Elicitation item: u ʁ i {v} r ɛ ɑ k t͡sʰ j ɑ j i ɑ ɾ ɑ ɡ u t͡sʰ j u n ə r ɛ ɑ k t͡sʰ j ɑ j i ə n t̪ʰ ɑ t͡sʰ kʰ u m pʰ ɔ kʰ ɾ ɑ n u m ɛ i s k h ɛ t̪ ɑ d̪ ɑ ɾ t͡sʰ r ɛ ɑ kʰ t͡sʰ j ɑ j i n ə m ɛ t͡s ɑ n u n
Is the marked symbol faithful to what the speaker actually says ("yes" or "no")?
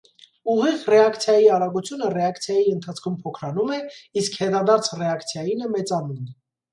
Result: no